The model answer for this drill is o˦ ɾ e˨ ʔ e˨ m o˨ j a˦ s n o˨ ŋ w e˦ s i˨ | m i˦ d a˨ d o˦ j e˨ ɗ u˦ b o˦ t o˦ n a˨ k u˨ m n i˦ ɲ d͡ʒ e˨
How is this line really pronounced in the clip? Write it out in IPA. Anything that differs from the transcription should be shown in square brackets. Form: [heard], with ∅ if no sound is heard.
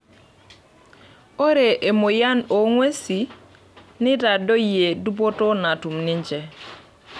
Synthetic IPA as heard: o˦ ɾ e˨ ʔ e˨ m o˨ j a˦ [∅] n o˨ ŋ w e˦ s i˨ | [n] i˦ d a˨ d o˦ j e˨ [d] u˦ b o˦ t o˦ n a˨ [t] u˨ m n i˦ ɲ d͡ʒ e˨

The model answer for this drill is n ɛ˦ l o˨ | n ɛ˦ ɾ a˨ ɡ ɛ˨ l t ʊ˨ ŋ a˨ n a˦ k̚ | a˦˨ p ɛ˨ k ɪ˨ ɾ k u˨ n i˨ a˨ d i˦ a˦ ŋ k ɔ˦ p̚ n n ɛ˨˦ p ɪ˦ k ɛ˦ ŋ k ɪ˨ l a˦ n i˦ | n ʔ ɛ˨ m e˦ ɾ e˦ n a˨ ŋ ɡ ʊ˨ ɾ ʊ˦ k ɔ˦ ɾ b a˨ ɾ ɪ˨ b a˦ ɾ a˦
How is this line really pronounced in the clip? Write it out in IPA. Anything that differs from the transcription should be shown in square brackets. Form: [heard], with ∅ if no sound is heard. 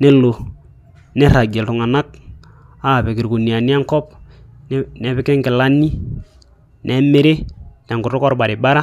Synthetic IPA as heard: n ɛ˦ l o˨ | n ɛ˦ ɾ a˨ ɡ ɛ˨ l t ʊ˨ ŋ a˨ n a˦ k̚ | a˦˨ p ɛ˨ k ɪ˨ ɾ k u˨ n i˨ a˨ [n] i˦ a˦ ŋ k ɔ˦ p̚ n n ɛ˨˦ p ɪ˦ k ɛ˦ ŋ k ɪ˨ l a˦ n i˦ | n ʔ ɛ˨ m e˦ ɾ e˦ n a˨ ŋ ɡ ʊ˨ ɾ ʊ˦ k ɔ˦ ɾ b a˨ ɾ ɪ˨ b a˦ ɾ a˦

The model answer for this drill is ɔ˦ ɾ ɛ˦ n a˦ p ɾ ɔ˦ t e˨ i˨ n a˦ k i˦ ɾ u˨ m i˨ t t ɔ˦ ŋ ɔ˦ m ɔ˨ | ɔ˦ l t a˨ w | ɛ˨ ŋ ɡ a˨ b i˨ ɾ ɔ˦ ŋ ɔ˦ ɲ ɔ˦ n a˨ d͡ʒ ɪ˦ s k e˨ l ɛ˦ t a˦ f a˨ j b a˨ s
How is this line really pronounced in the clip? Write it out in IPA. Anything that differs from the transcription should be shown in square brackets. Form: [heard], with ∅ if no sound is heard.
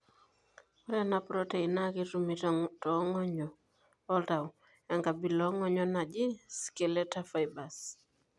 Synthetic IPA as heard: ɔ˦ ɾ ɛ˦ n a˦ p ɾ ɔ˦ t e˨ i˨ n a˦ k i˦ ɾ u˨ m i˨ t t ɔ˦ ŋ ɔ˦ [ɲ] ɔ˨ | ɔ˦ l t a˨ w | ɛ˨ ŋ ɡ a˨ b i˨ [l] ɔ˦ ŋ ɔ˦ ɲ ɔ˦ n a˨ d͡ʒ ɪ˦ s k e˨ l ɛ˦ t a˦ f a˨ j b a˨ s

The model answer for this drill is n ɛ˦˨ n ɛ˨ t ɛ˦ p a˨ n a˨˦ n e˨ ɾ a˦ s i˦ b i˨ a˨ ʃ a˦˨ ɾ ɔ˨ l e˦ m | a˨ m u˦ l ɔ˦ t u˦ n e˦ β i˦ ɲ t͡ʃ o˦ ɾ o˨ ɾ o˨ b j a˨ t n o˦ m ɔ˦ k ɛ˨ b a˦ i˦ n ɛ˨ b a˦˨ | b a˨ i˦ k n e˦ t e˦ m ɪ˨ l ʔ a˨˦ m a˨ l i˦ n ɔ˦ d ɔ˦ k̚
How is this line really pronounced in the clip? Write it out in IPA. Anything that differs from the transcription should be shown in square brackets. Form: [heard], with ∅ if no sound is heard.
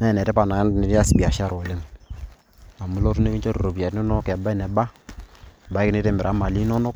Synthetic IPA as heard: n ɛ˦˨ n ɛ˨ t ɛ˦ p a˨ n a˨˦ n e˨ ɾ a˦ s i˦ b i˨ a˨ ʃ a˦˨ ɾ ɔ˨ l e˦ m | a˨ m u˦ l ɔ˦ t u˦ n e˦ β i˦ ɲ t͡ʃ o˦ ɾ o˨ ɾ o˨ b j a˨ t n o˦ [n] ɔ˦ k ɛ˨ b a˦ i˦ n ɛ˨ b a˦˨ | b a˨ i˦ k n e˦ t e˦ m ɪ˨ [ɾ] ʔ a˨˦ m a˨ l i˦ n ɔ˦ [n] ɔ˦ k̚

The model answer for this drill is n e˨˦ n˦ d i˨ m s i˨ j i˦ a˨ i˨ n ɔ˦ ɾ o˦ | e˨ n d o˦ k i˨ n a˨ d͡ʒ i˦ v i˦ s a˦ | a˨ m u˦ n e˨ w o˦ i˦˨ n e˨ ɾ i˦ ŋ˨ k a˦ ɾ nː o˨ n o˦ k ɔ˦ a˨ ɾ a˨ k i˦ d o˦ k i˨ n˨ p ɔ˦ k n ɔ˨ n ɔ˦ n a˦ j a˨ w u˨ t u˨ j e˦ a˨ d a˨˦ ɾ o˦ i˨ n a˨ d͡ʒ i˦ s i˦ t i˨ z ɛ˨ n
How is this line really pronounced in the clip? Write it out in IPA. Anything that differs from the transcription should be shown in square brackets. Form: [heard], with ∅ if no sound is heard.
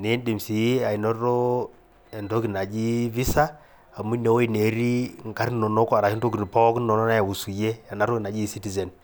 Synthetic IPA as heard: n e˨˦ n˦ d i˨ m s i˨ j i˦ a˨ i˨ n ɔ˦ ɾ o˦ | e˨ n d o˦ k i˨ n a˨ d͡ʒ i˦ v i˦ s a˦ | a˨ m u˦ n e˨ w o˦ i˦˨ n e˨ ɾ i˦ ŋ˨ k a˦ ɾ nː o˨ n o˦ k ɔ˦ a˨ ɾ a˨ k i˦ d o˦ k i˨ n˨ p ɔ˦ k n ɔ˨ n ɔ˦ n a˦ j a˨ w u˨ [s] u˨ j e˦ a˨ [n] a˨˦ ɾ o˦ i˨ n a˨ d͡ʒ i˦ s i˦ t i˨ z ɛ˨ n

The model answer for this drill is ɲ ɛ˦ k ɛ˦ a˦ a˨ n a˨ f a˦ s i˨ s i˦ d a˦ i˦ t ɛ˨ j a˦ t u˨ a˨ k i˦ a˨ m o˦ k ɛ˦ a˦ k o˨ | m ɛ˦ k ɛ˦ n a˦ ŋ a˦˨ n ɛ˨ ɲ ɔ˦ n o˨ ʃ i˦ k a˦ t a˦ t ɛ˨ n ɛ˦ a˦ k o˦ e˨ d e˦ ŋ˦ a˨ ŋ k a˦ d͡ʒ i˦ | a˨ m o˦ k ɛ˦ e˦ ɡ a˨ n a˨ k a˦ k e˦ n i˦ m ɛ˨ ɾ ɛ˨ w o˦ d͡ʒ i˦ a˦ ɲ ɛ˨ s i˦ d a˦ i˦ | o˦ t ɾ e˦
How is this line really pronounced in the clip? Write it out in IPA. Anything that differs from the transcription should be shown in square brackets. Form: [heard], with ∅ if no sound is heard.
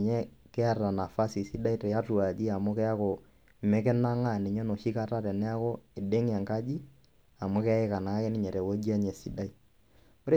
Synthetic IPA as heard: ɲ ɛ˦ k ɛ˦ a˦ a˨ n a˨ f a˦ s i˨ s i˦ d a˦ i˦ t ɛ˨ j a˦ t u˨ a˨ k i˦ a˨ m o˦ k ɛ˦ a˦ k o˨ | m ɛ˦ k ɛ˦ n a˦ ŋ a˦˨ n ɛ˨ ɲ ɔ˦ n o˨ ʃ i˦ k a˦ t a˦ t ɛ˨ n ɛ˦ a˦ k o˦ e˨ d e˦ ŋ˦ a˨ ŋ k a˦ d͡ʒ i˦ | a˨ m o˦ k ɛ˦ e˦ [k] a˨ n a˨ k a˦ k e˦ n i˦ [ɲ] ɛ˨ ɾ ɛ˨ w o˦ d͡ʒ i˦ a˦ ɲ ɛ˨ s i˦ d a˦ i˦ | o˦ [∅] ɾ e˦

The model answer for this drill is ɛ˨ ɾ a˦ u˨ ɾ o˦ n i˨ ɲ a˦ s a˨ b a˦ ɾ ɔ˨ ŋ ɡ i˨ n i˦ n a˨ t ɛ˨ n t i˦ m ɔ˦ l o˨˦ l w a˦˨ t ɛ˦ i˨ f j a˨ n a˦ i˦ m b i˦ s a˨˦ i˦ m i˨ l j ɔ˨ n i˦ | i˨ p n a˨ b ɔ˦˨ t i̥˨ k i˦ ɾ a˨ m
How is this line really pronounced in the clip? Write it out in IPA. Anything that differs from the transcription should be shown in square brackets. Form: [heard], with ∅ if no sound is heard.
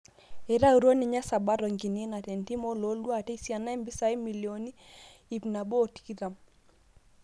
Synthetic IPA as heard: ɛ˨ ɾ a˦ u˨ ɾ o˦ n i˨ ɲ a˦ s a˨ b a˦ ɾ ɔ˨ ŋ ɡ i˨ n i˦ n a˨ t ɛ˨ n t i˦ m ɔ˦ l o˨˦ l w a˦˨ t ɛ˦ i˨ [s] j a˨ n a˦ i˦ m b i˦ s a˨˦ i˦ m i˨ l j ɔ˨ n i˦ | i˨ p n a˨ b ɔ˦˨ t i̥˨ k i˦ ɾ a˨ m

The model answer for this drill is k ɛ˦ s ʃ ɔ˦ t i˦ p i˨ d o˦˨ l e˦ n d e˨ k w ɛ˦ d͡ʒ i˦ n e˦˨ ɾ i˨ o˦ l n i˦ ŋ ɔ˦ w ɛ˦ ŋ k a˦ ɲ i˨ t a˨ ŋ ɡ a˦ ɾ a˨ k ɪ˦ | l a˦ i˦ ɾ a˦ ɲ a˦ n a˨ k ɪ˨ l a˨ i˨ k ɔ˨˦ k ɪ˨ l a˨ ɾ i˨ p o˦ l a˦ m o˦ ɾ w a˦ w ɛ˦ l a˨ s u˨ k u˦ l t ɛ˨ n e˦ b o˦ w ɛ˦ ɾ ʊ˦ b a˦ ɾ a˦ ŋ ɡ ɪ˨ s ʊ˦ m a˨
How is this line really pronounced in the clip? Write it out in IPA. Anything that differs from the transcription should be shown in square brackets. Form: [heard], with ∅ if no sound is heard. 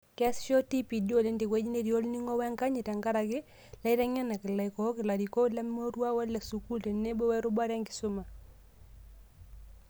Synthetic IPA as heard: k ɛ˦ s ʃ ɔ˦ t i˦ p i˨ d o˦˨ l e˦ n d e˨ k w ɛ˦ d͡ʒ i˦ n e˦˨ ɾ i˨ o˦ l n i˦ ŋ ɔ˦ w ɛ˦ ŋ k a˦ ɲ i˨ t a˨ ŋ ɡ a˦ ɾ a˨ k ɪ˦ | l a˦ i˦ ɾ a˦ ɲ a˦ n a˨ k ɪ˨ l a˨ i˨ k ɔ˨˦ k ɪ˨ l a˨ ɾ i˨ [k] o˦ l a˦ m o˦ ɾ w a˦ w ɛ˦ l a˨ s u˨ k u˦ l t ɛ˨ n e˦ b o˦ w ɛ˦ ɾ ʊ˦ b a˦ ɾ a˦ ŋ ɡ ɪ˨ s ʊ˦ m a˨

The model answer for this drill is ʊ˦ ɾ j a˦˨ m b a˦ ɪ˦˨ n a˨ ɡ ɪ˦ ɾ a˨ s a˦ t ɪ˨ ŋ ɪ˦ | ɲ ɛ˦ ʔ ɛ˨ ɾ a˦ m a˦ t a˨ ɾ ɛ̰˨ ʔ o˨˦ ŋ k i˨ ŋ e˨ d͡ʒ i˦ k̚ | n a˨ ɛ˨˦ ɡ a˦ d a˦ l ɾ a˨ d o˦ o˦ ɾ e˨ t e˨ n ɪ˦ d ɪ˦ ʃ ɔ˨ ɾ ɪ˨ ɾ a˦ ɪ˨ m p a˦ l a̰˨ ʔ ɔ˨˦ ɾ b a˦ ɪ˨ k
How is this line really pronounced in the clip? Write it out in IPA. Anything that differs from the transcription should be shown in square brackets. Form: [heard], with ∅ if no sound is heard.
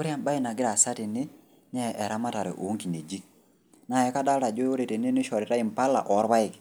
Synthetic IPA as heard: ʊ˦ ɾ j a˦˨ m b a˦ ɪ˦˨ n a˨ ɡ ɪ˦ ɾ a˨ s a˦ t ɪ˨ [n] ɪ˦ | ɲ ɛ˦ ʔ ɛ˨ ɾ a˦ m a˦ t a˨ ɾ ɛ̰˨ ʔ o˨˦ ŋ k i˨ [n] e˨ d͡ʒ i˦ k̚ | n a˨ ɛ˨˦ [k] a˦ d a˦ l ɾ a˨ [d͡ʒ] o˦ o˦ ɾ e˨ t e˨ n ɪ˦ [n] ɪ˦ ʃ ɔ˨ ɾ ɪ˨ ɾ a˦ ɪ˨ m p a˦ l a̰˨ ʔ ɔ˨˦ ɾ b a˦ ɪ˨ k

